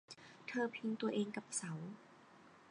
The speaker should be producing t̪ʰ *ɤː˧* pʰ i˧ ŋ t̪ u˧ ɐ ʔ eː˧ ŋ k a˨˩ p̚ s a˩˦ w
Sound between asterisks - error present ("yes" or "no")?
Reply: no